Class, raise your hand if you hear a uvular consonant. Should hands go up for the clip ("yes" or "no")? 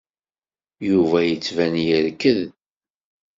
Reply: no